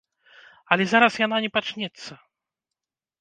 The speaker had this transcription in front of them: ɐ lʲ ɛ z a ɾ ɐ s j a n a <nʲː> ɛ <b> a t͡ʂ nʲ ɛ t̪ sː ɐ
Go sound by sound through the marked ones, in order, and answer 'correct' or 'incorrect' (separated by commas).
incorrect, incorrect